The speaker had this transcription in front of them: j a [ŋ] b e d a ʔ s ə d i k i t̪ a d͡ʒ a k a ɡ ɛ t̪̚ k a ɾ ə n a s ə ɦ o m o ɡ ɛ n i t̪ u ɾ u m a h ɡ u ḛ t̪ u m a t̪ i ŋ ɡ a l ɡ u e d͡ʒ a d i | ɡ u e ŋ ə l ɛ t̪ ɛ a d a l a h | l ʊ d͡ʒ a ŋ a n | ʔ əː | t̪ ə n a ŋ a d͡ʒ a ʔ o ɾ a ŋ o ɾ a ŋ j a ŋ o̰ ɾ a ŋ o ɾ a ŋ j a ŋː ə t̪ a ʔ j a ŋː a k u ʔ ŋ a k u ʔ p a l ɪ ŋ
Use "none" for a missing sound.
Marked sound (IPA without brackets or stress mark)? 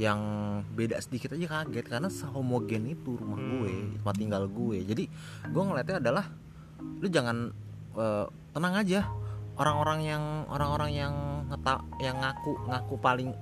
ŋ